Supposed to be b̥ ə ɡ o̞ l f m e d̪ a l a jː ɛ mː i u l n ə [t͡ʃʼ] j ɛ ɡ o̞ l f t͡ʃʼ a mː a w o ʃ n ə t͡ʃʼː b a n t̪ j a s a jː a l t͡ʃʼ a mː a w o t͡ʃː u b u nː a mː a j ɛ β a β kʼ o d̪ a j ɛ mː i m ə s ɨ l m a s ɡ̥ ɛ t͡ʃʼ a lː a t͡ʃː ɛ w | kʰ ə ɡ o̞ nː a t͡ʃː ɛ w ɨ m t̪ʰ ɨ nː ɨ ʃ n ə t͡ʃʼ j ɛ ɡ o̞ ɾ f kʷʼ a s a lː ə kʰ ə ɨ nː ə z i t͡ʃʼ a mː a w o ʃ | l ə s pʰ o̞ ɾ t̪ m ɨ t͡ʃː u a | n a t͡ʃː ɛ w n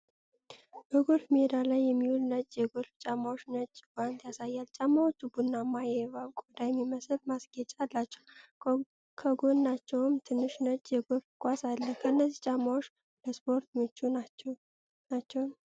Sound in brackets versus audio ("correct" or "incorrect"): correct